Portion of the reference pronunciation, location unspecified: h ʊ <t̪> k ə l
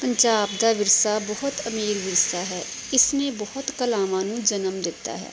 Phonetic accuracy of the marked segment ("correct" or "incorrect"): correct